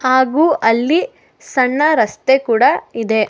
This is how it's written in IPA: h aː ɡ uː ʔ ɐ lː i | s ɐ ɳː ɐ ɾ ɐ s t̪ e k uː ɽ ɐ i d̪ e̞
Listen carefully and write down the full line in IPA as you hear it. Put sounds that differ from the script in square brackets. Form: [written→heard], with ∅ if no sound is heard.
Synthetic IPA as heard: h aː ɡ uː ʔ ɐ lː i | s ɐ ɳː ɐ ɾ ɐ s t̪ e k uː ɽ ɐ i d̪ e̞